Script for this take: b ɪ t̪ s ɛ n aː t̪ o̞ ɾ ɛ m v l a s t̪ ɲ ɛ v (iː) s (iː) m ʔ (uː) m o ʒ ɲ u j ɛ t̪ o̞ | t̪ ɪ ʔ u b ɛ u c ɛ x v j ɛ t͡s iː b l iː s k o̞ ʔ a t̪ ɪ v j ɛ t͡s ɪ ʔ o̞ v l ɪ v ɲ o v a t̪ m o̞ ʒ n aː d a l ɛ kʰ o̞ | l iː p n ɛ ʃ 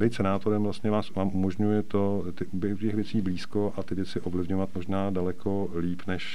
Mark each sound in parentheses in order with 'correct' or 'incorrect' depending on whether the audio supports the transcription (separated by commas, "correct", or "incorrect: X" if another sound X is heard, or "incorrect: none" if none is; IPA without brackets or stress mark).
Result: incorrect: aː, incorrect: aː, incorrect: u